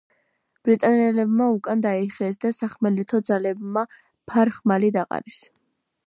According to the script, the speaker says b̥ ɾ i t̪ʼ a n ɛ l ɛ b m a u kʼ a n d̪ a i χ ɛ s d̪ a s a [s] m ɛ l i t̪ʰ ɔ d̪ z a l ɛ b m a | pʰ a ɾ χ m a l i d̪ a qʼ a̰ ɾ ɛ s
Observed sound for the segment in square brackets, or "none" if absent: χ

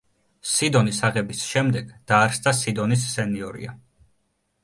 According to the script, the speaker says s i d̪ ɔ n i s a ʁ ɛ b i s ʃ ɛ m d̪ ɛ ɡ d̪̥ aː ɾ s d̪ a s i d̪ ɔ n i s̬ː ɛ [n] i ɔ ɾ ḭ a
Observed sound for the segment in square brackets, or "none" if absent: n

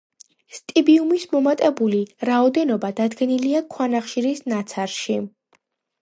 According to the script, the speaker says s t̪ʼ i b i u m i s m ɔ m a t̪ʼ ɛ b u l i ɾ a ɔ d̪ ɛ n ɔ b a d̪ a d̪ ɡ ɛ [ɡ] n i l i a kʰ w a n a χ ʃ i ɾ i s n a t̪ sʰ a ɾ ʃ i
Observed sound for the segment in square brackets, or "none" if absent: none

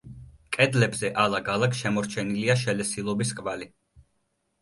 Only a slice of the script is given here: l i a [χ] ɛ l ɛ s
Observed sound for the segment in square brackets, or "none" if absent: ʃ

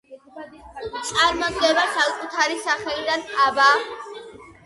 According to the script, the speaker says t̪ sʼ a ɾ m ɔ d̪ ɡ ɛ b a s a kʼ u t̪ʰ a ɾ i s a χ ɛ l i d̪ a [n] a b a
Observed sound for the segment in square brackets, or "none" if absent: n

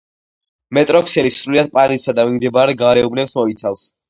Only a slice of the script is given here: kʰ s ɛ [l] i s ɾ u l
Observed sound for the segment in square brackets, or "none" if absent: l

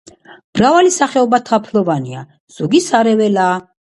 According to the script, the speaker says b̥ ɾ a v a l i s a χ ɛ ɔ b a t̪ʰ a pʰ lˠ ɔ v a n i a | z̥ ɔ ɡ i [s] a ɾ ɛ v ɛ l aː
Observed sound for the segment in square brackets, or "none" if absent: s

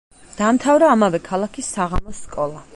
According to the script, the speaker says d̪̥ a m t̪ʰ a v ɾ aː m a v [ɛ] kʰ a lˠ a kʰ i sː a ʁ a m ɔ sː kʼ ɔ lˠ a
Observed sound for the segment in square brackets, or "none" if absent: ɛ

